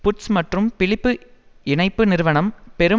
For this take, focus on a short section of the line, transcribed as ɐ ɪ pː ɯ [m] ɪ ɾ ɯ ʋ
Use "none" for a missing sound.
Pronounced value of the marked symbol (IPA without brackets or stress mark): n